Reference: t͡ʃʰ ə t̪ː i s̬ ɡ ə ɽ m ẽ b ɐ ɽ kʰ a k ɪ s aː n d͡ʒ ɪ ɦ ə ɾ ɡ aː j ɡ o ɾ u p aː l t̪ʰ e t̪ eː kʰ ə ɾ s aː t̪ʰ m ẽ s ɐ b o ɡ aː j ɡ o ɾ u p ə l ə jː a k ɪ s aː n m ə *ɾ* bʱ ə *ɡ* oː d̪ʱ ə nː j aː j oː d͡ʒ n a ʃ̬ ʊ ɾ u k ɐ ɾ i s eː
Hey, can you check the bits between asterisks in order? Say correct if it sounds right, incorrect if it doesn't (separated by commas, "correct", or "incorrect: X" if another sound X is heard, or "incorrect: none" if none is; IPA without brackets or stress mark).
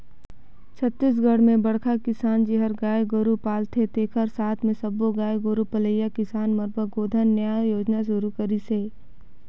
correct, correct